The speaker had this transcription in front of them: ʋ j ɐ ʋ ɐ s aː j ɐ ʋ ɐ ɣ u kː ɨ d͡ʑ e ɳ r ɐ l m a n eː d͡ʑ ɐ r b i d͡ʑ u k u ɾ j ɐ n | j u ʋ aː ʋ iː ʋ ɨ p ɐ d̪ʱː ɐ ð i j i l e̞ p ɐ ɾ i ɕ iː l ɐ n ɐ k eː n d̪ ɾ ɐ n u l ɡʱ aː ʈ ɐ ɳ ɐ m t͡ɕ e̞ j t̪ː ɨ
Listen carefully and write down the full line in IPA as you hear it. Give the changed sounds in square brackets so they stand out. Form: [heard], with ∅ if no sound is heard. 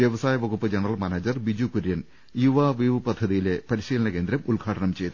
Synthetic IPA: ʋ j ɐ ʋ ɐ s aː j ɐ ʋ ɐ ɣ u [pː] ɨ d͡ʑ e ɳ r ɐ l m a n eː d͡ʑ ɐ r b i d͡ʑ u k u ɾ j ɐ n | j u ʋ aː ʋ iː ʋ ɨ p ɐ d̪ʱː ɐ ð i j i l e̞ p ɐ ɾ i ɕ iː l ɐ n ɐ k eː n d̪ ɾ ɐ [m] u l ɡʱ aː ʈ ɐ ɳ ɐ m t͡ɕ e̞ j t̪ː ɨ